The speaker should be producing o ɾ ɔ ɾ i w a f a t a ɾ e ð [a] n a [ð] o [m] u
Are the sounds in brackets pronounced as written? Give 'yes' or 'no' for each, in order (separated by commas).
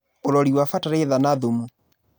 yes, yes, yes